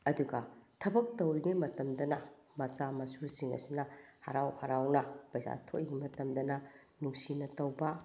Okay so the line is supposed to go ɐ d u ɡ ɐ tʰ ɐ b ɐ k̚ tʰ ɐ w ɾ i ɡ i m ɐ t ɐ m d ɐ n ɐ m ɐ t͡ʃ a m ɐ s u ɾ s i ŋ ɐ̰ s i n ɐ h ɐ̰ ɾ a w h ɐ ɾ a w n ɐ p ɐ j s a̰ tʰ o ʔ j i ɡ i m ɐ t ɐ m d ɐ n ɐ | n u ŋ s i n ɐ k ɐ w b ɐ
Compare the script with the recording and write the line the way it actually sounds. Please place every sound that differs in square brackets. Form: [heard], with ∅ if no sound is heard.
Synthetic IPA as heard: ɐ d u ɡ ɐ tʰ ɐ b ɐ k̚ [t] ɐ w ɾ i ɡ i m ɐ t ɐ m d ɐ n ɐ m ɐ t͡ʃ a m ɐ s u ɾ s i ŋ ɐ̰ s i n ɐ h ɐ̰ ɾ a w h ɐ ɾ a w n ɐ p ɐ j s a̰ tʰ o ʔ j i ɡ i m ɐ t ɐ m d ɐ n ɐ | n u ŋ s i n ɐ [t] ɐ w b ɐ